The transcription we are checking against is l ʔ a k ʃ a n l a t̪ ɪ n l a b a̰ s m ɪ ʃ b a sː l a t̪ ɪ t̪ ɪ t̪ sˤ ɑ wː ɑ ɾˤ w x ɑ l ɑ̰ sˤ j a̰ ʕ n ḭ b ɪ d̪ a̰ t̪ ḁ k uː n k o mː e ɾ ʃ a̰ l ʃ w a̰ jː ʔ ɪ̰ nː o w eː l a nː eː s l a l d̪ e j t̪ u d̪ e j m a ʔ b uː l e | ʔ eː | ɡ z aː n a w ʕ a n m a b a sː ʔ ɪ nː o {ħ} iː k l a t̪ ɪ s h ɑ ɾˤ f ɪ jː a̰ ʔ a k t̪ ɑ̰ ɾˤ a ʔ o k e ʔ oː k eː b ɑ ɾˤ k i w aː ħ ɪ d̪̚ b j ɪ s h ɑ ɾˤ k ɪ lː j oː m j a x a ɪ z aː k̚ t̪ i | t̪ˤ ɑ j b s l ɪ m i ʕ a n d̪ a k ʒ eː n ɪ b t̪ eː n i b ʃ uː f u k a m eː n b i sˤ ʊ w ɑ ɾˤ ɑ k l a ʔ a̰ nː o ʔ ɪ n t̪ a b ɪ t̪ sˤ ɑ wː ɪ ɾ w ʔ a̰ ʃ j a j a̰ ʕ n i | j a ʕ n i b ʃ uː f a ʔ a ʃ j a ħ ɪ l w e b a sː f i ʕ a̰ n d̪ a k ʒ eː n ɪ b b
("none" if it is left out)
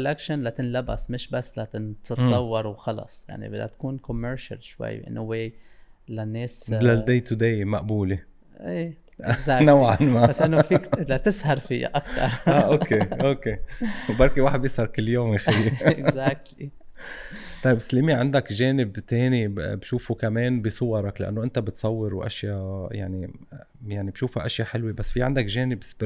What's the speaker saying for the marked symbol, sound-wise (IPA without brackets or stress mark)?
f